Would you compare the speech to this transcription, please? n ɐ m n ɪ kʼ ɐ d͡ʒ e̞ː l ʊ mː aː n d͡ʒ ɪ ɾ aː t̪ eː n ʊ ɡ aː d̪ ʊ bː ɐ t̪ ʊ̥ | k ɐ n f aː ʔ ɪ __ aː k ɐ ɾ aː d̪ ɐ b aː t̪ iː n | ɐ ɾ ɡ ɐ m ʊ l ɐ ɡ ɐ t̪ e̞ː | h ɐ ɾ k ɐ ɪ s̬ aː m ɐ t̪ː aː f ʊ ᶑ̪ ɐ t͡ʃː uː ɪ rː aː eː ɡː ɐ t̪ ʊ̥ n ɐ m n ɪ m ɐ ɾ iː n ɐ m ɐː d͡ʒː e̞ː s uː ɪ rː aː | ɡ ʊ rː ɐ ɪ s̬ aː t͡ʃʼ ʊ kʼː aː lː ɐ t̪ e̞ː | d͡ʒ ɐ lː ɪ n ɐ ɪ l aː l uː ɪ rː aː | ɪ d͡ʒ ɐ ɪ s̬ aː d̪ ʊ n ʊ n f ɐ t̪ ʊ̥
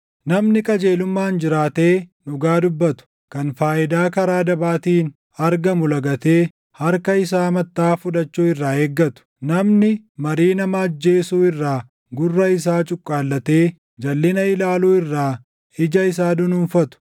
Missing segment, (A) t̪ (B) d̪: B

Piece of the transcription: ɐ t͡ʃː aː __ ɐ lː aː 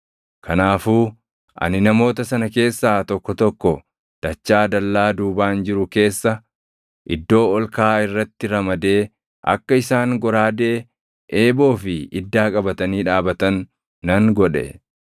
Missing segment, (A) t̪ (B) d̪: B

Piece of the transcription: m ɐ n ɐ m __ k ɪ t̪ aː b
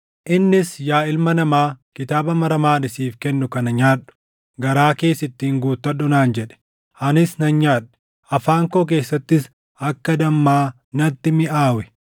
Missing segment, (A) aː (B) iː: A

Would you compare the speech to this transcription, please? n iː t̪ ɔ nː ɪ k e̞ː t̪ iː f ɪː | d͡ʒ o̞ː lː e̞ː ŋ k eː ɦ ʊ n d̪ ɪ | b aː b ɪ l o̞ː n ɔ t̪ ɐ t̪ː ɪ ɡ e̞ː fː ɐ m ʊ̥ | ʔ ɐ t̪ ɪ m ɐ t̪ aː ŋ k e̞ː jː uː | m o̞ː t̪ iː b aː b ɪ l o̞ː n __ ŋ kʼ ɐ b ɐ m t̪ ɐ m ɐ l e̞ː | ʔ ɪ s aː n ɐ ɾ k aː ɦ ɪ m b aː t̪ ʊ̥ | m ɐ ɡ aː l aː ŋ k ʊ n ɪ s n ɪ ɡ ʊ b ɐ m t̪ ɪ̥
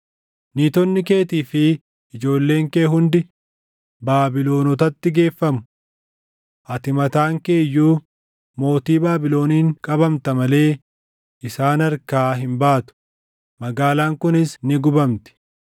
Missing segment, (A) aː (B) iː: B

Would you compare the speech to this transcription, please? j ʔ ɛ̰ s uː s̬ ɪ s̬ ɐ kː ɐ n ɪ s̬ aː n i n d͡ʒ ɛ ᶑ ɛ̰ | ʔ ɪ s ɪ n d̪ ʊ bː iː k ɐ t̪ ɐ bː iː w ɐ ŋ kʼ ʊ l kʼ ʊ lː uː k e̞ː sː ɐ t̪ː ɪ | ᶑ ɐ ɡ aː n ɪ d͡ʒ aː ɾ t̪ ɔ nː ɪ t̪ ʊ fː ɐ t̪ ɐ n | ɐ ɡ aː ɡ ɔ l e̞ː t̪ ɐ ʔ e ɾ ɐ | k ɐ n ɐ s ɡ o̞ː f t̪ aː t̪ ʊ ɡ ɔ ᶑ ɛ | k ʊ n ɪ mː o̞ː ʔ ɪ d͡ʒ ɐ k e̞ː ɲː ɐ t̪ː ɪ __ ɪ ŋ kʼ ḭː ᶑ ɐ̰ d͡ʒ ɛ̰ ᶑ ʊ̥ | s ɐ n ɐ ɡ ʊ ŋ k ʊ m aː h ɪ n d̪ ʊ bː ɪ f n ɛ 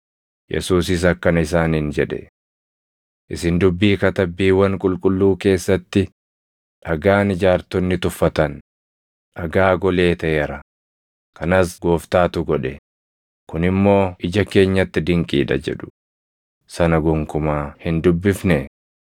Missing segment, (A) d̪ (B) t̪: A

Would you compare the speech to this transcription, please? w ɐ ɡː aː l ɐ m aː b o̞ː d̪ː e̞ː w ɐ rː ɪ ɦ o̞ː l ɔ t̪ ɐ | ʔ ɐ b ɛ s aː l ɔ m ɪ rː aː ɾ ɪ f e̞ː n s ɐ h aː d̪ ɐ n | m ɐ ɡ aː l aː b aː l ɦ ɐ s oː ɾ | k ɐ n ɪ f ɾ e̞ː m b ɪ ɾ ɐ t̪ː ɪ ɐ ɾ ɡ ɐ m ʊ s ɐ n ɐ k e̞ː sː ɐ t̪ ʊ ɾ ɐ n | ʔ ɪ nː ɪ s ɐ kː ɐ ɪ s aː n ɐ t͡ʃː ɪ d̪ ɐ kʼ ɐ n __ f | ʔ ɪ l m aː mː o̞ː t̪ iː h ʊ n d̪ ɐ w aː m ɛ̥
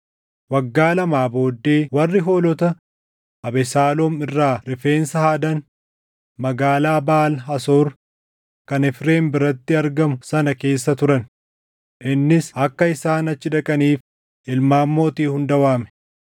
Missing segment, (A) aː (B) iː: B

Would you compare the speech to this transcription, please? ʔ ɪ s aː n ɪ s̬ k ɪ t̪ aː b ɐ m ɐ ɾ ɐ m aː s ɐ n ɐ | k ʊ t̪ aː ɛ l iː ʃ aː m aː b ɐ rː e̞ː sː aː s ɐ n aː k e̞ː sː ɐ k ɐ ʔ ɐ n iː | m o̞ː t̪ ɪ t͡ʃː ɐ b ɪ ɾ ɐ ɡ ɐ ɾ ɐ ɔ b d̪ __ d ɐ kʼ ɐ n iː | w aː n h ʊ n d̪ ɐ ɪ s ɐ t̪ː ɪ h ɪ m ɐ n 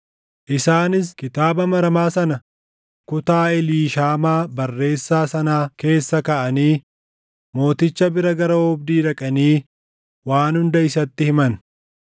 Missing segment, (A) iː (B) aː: A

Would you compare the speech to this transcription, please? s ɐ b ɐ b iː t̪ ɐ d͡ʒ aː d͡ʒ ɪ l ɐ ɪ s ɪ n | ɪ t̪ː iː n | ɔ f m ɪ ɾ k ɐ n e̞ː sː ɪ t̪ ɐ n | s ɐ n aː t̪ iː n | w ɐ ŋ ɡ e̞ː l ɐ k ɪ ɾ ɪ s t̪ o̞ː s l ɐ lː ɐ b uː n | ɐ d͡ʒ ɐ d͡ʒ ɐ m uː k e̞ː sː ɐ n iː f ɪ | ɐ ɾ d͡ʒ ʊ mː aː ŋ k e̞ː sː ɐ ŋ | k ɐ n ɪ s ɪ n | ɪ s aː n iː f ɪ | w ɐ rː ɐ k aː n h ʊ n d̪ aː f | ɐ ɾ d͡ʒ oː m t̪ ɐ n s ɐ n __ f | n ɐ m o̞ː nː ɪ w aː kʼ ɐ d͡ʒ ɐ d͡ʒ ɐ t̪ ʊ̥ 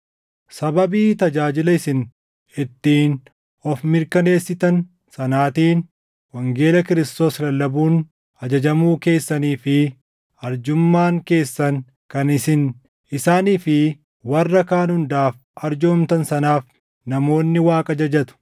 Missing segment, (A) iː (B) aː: B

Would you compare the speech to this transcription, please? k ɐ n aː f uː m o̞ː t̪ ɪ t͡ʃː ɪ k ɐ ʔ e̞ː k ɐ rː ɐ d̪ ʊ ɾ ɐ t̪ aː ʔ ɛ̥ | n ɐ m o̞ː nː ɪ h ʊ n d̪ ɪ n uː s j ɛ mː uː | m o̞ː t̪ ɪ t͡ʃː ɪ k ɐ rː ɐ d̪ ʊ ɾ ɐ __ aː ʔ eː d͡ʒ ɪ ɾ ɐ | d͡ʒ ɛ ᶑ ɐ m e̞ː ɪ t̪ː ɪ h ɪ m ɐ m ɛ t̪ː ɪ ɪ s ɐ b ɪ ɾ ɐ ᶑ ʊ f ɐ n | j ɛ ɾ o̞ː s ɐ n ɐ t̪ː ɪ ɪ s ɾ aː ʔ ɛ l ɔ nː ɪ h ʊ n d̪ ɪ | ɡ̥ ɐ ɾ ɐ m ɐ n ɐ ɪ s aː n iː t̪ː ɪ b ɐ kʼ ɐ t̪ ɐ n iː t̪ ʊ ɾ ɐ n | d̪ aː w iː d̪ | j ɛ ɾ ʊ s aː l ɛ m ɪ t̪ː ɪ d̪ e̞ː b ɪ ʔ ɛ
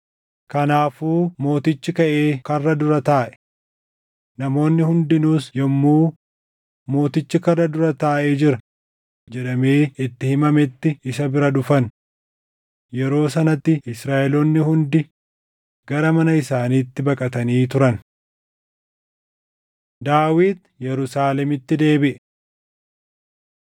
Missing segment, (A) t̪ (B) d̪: A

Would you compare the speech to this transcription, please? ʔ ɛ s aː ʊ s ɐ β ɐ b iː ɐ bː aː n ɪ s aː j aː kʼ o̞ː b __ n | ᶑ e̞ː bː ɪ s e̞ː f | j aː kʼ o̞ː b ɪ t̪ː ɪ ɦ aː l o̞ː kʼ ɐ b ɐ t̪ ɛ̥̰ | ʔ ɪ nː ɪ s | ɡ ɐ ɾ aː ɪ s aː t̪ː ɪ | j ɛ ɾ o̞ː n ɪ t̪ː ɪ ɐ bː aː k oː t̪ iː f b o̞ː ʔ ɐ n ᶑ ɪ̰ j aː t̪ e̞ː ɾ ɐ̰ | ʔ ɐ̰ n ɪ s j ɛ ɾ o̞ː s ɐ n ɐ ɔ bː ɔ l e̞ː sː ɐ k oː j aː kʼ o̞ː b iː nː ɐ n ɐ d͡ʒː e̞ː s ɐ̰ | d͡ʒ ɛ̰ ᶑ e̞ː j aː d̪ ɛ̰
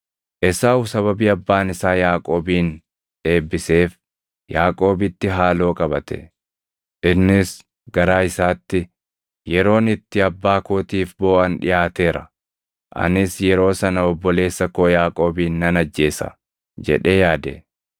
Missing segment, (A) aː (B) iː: B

